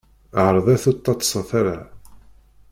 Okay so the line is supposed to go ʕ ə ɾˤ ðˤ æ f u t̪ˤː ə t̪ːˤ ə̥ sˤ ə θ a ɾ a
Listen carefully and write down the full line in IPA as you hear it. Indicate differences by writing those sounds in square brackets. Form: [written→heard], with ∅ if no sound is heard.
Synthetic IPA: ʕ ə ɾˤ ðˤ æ [f→θ] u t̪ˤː [ə→ɑ] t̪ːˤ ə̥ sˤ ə θ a ɾ a